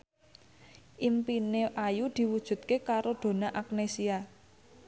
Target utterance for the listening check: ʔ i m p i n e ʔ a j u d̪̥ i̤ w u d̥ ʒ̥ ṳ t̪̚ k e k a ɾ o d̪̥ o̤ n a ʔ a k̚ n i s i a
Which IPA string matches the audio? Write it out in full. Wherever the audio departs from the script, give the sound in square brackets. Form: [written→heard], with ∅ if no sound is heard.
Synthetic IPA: ʔ i m p i n e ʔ a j u d̪̥ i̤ w u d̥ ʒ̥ ṳ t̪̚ k e k a ɾ o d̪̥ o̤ n a ʔ a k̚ n [i→e] s i a